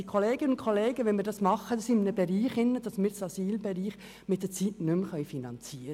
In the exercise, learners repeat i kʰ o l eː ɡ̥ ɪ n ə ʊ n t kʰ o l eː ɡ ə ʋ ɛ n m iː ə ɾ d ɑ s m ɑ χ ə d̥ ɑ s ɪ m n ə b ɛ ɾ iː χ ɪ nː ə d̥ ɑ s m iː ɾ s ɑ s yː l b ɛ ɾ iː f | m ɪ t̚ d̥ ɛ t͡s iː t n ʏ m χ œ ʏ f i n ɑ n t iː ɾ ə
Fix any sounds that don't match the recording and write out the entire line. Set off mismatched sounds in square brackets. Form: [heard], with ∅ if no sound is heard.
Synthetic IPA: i kʰ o l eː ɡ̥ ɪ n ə ʊ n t kʰ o l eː ɡ ə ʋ ɛ n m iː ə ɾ d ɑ s m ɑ χ ə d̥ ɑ s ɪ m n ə b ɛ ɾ iː χ ɪ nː ə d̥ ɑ s m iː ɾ s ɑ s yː l b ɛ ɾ iː [χ] | m ɪ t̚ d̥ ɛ t͡s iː t n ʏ m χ œ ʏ f i n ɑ n [t͡s] iː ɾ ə